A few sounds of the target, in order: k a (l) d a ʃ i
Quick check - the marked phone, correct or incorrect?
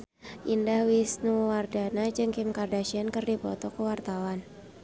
incorrect: r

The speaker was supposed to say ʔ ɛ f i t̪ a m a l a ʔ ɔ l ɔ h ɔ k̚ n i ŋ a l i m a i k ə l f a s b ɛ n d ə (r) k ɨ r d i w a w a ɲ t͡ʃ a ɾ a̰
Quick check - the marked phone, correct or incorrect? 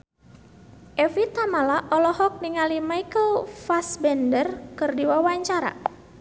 correct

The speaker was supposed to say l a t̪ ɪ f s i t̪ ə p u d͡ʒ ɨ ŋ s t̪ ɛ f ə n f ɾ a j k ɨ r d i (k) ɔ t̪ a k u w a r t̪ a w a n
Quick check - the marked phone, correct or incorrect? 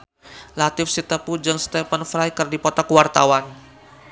incorrect: p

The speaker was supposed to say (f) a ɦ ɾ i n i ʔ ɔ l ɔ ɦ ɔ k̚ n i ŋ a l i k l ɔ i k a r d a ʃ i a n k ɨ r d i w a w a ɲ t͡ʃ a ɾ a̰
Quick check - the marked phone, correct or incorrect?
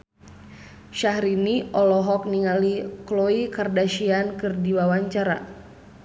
incorrect: ʃ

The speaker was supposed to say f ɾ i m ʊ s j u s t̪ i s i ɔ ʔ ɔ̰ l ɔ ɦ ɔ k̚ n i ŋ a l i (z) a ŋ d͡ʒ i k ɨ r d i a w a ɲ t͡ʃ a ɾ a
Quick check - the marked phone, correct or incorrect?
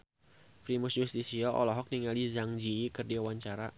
correct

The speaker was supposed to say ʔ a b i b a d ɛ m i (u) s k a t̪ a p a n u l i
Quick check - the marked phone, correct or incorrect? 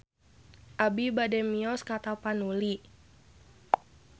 incorrect: ɔ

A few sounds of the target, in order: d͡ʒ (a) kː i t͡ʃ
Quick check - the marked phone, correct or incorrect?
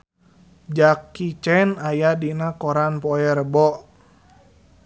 correct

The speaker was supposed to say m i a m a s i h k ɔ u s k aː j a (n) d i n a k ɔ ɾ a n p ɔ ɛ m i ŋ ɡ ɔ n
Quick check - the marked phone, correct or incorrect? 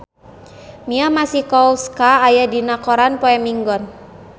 incorrect: none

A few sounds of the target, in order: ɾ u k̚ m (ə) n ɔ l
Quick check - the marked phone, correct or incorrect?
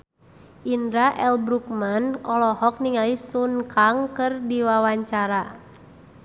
incorrect: a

